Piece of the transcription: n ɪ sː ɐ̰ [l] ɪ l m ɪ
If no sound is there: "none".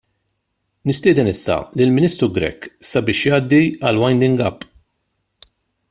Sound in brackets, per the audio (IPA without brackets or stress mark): l